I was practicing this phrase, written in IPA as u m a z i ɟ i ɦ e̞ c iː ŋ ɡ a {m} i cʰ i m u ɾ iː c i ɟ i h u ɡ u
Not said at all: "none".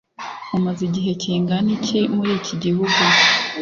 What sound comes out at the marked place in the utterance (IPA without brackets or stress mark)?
n